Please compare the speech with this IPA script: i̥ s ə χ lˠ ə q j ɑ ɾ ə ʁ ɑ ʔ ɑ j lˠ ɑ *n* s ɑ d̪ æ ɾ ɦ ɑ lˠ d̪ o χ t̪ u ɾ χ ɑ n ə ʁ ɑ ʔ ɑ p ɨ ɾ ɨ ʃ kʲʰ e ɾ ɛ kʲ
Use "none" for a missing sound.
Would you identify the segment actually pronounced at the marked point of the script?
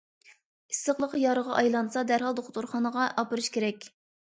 n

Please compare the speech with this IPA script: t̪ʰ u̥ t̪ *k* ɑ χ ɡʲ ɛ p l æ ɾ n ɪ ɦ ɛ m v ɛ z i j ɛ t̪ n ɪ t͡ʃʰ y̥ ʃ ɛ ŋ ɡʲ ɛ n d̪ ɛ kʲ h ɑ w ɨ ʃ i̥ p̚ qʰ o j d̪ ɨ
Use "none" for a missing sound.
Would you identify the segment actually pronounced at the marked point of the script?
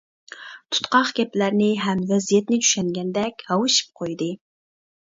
q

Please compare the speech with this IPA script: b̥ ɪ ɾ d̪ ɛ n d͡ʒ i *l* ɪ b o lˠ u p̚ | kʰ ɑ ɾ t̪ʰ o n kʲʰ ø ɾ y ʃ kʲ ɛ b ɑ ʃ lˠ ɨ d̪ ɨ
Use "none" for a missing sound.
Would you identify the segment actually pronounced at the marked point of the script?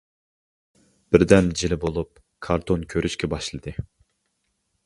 l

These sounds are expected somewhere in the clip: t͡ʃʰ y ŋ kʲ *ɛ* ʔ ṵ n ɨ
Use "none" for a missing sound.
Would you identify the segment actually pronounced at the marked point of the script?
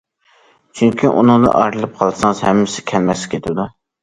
i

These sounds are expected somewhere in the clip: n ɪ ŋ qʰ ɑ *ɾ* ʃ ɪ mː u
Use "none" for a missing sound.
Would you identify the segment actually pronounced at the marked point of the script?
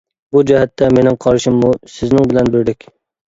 ɾ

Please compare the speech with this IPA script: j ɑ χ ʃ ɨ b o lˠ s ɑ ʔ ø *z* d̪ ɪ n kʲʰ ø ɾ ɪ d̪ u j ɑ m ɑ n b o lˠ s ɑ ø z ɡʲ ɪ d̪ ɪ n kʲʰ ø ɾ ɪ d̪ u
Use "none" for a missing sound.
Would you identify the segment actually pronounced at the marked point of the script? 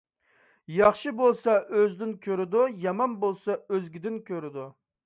z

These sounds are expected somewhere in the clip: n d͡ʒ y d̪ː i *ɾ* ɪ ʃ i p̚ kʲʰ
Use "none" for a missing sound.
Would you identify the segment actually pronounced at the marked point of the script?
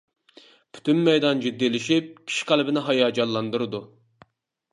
l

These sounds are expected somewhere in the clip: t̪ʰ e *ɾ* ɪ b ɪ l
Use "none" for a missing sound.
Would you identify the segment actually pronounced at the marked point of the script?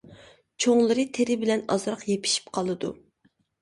ɾ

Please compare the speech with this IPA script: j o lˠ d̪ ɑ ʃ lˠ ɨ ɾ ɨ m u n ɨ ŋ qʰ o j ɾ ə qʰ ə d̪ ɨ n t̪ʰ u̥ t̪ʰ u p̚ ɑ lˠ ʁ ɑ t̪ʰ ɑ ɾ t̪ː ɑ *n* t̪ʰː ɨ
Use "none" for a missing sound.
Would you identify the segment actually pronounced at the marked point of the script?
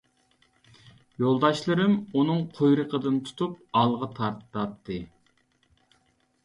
none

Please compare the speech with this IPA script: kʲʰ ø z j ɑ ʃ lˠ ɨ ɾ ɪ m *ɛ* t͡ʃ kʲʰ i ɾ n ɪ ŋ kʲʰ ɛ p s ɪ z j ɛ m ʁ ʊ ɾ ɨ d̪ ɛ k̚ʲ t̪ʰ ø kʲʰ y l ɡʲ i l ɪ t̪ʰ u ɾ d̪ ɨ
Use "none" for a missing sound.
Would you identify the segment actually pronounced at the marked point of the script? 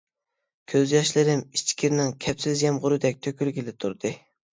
i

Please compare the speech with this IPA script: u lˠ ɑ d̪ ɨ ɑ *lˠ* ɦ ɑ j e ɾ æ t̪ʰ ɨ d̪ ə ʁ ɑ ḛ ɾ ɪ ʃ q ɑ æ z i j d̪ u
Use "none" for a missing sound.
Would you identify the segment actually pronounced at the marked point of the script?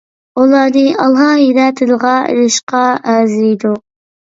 lˠ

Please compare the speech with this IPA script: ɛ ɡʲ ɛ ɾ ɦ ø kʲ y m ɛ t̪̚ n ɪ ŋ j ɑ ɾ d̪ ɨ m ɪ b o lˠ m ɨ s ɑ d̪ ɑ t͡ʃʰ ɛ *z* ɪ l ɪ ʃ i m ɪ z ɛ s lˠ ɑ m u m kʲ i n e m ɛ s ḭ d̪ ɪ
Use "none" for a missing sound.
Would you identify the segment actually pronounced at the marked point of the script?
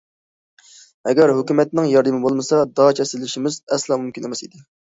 s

